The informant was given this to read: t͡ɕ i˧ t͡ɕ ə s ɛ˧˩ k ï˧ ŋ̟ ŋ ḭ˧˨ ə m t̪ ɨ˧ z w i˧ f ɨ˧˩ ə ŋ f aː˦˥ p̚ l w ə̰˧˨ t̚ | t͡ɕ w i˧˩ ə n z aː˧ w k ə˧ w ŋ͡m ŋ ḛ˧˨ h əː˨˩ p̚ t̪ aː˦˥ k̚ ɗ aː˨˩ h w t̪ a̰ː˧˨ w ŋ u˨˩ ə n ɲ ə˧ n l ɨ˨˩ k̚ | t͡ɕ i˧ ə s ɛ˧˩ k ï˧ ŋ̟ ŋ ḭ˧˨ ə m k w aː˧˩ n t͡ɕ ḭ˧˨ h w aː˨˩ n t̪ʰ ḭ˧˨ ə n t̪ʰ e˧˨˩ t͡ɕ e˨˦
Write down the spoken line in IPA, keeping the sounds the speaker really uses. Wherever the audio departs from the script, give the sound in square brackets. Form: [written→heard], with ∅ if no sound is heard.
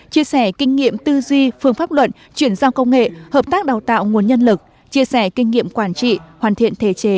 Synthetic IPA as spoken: t͡ɕ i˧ [t͡ɕ→∅] ə s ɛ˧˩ k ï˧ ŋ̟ ŋ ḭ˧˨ ə m t̪ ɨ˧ z w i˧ f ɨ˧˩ ə ŋ f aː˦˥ p̚ l w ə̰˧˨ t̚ | t͡ɕ w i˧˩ ə n z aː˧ w k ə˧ w ŋ͡m ŋ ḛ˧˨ h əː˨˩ p̚ t̪ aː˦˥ k̚ ɗ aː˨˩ [h→∅] w t̪ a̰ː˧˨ w ŋ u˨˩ ə n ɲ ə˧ n l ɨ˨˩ k̚ | t͡ɕ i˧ ə s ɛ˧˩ k ï˧ ŋ̟ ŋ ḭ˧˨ ə m k w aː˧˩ n t͡ɕ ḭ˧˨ h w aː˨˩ n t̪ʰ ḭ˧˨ ə n t̪ʰ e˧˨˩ t͡ɕ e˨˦